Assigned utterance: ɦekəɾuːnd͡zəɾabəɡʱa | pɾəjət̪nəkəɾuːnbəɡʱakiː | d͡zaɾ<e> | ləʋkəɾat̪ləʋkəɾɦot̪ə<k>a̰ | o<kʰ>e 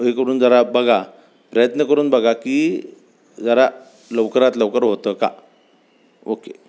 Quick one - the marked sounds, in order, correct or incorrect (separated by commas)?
incorrect, correct, incorrect